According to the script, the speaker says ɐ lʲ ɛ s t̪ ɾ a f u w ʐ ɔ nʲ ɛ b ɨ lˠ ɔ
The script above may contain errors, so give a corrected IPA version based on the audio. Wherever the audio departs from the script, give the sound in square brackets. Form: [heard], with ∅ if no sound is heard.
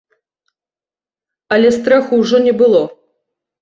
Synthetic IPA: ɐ lʲ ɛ s t̪ ɾ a [x] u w ʐ ɔ nʲ ɛ b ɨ lˠ ɔ